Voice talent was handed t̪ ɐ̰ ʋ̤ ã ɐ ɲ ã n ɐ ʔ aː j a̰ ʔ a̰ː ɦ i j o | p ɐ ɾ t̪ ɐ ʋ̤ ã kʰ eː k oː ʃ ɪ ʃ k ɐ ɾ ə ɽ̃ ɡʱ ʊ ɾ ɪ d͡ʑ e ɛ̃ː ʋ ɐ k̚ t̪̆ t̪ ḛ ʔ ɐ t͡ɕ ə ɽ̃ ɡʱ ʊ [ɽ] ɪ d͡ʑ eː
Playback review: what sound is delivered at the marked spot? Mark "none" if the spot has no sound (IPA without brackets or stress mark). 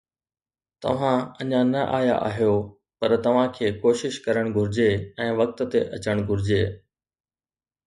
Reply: ɾ